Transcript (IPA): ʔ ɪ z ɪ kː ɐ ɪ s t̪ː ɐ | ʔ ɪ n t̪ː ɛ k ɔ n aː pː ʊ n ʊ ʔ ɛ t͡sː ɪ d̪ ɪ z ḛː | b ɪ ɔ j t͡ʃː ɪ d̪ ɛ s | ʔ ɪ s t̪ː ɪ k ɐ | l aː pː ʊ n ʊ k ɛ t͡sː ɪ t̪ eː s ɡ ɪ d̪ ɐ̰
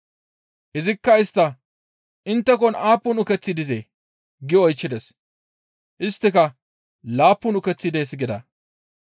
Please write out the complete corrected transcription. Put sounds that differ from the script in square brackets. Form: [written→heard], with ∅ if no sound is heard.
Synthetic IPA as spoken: ʔ ɪ z ɪ kː ɐ ɪ s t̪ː ɐ | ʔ ɪ n t̪ː ɛ k ɔ n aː pː ʊ n ʊ [ʔ→k] ɛ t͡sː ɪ d̪ ɪ z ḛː | [b→ɡ] ɪ ɔ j t͡ʃː ɪ d̪ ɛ s | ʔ ɪ s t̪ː ɪ k ɐ | l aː pː ʊ n ʊ k ɛ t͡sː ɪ [t̪→d̪] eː s ɡ ɪ d̪ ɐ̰